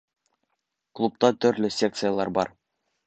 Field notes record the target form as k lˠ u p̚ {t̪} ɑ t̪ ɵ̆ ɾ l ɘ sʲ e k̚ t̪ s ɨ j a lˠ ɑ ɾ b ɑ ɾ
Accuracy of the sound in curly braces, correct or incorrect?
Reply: correct